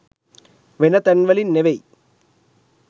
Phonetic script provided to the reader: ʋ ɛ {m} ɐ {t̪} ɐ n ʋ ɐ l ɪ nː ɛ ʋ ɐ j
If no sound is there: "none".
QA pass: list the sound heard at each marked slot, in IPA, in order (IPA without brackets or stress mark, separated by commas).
n, t̪